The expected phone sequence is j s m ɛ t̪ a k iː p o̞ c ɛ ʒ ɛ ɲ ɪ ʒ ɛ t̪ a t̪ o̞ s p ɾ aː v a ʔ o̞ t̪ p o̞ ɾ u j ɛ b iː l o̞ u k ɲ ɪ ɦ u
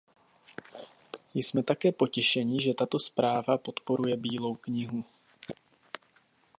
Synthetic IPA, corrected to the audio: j s m ɛ t̪ a k ɛː p o̞ c ɛ ʃ ɛ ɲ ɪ ʒ ɛ t̪ a t̪ o̞ s p ɾ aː v a p o̞ t̪ p o̞ ɾ u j ɛ b iː l o̞ w k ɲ ɪ ɦ u